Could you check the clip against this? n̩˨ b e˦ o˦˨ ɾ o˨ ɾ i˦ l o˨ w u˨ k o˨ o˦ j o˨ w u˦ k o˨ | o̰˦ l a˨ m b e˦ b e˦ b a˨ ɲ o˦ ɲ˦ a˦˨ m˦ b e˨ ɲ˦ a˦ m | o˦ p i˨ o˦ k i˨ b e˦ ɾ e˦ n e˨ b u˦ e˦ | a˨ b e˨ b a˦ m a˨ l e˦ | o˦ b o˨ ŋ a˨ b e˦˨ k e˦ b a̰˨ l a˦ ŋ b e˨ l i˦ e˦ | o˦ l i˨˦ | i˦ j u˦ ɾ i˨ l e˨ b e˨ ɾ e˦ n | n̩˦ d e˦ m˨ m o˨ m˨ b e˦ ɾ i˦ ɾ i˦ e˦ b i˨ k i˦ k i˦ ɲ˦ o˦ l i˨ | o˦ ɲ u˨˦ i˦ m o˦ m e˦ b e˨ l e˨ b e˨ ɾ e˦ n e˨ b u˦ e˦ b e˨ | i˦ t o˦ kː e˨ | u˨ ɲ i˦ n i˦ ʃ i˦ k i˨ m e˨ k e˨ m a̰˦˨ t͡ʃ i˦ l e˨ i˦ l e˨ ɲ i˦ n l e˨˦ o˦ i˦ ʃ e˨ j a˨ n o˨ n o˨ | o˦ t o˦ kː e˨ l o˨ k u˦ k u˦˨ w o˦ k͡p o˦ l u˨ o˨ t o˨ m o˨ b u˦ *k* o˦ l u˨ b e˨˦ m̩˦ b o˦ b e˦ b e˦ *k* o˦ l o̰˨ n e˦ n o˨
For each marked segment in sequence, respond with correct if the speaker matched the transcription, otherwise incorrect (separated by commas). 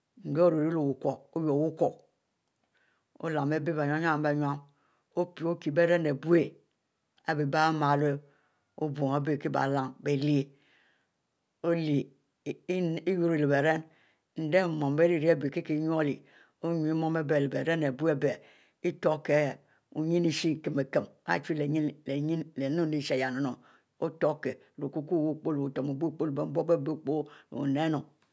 incorrect, incorrect